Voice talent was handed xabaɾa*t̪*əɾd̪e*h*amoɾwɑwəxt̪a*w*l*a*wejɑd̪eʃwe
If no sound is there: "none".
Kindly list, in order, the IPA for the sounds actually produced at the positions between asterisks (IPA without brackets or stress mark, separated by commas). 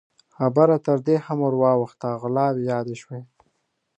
t̪, h, ɣ, ɑ